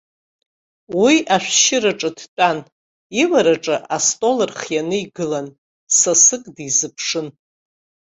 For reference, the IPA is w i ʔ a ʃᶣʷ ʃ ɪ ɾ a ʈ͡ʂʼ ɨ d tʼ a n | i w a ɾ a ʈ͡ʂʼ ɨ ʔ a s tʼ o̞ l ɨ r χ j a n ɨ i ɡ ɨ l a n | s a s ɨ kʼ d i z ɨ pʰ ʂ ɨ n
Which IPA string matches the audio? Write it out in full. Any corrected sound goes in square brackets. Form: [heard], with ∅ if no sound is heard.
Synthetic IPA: w i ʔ a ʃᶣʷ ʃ ɪ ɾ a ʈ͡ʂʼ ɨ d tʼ a n | i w a ɾ a ʈ͡ʂʼ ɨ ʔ a s tʼ o̞ l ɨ r χ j a n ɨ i ɡ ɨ l a n | s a s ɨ kʼ d i z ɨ pʰ ʂ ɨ n